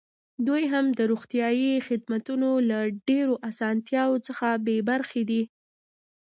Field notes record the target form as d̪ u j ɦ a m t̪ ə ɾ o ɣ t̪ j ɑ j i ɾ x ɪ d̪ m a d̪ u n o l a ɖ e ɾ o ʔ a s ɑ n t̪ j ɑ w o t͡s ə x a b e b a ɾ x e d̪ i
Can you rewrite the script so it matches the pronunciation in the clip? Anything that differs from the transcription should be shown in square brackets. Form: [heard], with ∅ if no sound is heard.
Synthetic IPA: d̪ u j ɦ a m [d̪] ə ɾ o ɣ t̪ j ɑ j i [∅] x ɪ d̪ m a [t̪] u n o l a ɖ e ɾ o ʔ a s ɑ n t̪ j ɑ w o t͡s ə x a b e b a ɾ x e d̪ i